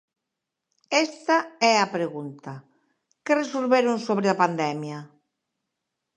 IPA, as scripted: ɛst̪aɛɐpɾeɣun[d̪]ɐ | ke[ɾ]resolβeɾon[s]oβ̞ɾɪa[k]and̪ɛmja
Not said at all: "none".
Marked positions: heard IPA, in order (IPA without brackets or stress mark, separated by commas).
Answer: t̪, none, s, p